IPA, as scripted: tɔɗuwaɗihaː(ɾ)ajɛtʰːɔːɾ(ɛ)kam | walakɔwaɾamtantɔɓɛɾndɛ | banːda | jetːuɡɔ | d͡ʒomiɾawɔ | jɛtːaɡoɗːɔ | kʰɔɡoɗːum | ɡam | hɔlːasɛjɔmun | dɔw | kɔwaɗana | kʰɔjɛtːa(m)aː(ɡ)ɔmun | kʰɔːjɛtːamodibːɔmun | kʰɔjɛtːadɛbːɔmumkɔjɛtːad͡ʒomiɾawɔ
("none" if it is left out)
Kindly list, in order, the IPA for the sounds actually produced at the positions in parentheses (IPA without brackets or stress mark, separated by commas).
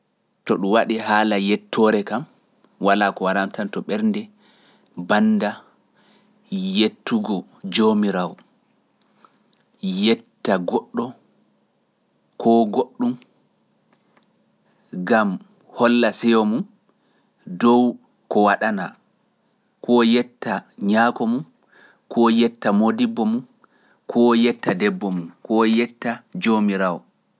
l, ɛ, ɲ, k